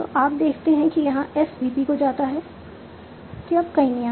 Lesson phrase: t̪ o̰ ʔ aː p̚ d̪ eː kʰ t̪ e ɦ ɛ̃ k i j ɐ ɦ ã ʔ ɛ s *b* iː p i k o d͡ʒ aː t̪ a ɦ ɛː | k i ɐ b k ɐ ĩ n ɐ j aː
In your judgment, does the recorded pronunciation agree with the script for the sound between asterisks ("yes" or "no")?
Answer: yes